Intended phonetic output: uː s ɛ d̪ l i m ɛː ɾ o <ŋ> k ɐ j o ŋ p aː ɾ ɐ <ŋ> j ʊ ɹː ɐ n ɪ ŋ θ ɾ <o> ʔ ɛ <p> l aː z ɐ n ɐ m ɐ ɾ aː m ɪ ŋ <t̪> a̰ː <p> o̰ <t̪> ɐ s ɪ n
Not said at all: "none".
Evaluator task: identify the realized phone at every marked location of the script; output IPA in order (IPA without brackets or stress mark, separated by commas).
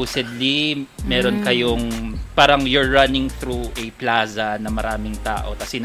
n, ŋ, u, p, t̪, ʔ, t̪